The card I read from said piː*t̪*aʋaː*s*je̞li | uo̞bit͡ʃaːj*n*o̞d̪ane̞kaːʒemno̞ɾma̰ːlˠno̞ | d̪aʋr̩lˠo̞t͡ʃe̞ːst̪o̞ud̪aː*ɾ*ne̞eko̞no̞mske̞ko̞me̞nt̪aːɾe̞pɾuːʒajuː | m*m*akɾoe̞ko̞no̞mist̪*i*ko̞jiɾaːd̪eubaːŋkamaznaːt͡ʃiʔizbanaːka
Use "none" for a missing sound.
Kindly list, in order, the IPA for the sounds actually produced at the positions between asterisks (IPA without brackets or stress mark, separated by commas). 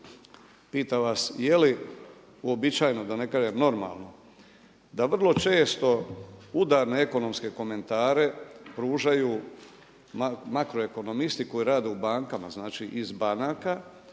t̪, s, n, ɾ, m, i